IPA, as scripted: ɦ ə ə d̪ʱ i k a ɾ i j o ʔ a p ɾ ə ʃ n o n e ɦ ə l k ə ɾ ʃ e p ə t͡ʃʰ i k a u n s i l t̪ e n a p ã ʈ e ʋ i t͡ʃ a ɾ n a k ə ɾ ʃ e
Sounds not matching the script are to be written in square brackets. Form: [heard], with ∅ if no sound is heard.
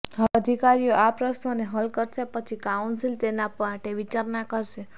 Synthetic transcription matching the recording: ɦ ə ə d̪ʱ i k a ɾ i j o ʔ a p ɾ ə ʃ n o n e ɦ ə l k ə ɾ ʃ e p ə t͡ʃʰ i k a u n s i l t̪ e n a p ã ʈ e ʋ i t͡ʃ a ɾ n a k ə ɾ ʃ e